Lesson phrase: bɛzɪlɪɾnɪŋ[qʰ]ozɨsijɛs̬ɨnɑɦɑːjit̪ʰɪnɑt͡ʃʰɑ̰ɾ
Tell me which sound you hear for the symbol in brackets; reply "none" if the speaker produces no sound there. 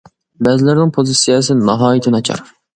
pʰ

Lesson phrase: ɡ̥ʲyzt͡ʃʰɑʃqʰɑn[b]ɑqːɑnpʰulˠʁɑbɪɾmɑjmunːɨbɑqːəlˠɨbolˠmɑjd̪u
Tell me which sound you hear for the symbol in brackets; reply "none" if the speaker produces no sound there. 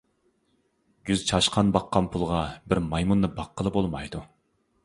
b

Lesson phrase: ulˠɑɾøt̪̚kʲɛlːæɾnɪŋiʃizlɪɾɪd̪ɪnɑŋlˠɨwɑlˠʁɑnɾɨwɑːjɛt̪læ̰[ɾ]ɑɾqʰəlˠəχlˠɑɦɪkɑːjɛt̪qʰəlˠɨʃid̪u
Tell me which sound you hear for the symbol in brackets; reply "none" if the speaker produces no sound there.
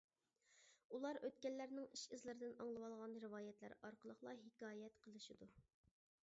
ɾ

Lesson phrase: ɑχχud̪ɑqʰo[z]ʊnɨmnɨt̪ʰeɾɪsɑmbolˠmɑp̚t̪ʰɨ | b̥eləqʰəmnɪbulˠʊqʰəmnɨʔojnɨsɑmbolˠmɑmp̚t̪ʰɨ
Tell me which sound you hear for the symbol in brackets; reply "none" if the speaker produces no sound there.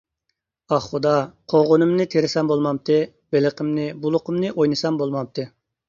ʁ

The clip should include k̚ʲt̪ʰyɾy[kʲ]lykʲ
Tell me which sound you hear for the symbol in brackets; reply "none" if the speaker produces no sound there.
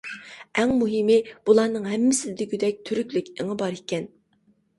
kʲ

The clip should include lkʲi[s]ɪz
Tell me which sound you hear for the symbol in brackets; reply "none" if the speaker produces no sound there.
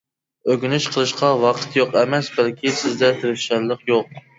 s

